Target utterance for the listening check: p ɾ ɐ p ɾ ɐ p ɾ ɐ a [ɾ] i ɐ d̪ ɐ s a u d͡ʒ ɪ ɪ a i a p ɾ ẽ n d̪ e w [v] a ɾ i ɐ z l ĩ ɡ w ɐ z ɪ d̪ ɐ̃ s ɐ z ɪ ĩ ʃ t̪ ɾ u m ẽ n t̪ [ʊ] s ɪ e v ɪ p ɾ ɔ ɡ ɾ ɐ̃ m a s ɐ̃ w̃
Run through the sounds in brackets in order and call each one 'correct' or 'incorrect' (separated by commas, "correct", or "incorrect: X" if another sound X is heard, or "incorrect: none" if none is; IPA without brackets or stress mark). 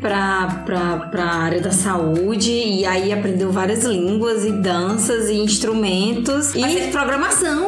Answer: correct, correct, correct